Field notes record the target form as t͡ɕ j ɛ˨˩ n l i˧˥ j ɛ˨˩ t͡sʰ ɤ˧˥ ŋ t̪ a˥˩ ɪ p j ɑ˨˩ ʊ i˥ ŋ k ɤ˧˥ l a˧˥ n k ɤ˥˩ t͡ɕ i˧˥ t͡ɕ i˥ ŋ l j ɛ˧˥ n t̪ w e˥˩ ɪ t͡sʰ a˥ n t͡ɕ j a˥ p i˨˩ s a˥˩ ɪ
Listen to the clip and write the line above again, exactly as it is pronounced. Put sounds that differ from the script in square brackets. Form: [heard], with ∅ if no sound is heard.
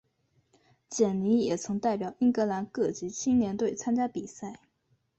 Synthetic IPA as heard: t͡ɕ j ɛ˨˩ n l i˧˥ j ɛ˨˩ t͡sʰ ɤ˧˥ ŋ t̪ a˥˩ ɪ p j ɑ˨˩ ʊ i˥ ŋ k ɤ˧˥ l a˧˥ n k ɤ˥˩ t͡ɕ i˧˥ [t͡ɕʰ] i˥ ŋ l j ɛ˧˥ n t̪ w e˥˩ ɪ t͡sʰ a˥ n t͡ɕ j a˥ p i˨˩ s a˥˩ ɪ